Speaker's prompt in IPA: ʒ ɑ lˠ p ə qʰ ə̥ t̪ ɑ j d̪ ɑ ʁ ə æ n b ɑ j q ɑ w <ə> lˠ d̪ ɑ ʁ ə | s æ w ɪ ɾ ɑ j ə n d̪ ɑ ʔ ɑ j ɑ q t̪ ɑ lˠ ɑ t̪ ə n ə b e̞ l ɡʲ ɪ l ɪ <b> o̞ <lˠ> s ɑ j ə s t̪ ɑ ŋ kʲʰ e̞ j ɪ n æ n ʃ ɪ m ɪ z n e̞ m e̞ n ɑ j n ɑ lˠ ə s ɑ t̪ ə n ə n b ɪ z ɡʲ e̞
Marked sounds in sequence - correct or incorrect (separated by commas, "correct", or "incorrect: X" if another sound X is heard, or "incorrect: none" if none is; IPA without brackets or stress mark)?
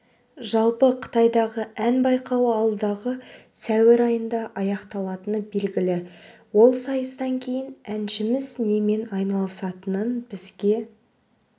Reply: incorrect: ɑ, incorrect: w, correct